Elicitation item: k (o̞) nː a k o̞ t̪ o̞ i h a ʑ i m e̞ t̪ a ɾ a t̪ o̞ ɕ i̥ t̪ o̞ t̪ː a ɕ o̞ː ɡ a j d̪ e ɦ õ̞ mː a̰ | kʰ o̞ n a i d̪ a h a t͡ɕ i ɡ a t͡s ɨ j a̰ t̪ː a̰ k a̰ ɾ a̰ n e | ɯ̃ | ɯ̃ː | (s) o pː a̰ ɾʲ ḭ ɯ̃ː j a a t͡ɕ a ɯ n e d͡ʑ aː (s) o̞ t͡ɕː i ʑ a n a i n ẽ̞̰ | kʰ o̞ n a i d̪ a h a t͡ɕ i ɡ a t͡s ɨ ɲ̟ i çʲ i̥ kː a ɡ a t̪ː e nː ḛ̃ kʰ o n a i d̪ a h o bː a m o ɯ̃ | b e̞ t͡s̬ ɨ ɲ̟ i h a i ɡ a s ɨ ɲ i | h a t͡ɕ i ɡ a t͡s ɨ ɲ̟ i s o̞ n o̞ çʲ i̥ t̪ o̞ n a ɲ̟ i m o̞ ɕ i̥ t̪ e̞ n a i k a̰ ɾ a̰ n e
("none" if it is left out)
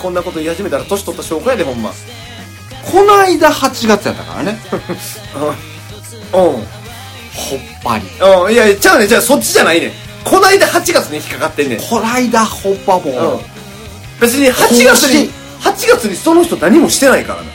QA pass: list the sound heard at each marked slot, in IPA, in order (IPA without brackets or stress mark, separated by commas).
õ̞, h, s